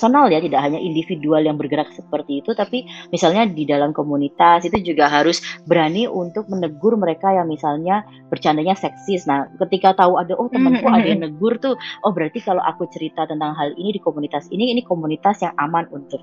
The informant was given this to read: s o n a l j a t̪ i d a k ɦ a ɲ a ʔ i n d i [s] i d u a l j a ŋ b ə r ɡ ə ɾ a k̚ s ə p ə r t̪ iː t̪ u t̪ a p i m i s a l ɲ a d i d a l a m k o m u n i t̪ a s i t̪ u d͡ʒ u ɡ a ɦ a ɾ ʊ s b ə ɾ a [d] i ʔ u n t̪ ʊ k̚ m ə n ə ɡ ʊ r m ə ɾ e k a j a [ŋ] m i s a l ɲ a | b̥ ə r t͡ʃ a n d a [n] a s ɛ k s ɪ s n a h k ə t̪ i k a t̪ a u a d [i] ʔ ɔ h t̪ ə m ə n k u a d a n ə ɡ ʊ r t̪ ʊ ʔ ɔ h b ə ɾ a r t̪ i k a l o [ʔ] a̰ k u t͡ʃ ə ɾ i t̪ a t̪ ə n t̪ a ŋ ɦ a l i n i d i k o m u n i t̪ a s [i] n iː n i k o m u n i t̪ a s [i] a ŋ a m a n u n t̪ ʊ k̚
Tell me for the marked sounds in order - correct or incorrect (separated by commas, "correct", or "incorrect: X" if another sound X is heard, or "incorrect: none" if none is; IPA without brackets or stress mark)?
incorrect: f, incorrect: n, correct, incorrect: ɲ, incorrect: a, correct, correct, incorrect: j